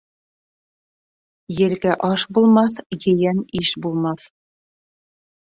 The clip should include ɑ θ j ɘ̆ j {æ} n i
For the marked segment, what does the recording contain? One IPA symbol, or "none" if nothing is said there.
æ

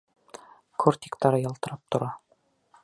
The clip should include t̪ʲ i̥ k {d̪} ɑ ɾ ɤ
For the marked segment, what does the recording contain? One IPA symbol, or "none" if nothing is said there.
t̪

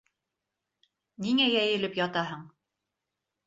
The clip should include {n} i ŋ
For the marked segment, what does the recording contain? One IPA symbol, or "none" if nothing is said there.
n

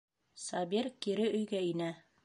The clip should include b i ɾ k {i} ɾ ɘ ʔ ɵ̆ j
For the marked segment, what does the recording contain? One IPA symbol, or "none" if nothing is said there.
i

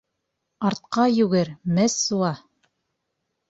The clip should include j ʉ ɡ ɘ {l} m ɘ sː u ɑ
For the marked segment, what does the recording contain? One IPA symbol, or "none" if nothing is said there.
ɾ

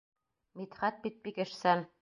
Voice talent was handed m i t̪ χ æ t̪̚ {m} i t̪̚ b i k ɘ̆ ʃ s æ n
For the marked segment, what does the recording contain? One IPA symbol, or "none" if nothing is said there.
b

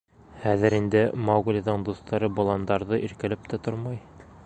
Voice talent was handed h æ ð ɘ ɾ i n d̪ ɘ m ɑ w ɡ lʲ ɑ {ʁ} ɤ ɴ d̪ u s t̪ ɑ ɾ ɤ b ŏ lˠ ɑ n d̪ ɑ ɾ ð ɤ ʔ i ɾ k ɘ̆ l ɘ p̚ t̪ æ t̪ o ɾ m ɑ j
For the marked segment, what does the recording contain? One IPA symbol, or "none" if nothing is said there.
ð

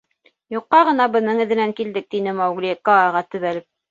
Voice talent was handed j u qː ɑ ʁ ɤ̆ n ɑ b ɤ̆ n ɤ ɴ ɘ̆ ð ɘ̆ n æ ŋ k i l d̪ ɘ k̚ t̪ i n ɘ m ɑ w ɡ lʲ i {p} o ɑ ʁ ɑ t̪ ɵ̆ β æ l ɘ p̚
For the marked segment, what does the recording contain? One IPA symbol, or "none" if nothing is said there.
k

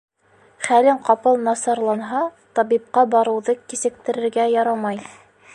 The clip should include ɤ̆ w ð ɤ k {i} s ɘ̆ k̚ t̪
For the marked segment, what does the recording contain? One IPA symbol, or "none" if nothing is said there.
i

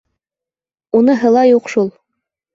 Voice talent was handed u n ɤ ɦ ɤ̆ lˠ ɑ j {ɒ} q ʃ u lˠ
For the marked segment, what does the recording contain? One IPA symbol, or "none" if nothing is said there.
u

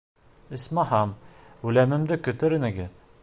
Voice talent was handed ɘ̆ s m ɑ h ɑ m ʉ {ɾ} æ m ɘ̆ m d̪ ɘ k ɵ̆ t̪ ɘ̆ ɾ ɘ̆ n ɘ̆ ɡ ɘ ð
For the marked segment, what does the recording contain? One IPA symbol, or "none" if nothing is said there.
l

